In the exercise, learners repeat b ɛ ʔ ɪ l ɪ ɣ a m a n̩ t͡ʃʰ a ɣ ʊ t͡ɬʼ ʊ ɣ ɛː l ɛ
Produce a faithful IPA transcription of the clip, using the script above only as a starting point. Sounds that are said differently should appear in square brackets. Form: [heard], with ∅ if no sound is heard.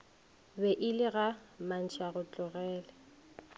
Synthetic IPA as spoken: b ɛ ʔ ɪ l ɪ ɣ a m a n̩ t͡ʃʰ a ɣ ʊ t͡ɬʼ ʊ ɣ ɛː l ɛ

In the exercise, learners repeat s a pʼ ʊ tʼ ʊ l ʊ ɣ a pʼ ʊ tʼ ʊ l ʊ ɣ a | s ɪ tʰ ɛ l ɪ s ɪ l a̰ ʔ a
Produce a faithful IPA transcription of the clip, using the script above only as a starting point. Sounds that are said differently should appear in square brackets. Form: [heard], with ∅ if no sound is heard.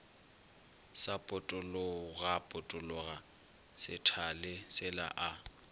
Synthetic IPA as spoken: s a pʼ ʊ tʼ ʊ l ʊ ɣ a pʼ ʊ tʼ ʊ l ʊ ɣ a | s ɪ tʰ [a] l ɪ s ɪ l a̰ ʔ a

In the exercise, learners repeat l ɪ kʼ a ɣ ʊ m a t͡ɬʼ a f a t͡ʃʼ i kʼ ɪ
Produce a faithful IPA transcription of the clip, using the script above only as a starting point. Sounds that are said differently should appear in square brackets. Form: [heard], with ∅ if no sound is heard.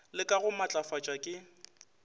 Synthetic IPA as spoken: l ɪ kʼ a ɣ ʊ m a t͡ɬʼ a f a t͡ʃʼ [a] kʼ ɪ

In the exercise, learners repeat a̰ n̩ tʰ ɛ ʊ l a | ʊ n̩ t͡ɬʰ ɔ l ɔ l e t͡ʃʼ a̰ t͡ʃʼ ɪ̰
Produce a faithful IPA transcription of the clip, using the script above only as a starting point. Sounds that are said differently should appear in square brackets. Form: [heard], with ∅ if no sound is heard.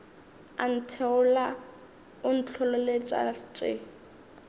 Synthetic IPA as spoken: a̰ n̩ tʰ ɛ ʊ l a | ʊ n̩ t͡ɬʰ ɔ l ɔ l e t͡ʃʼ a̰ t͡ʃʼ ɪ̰

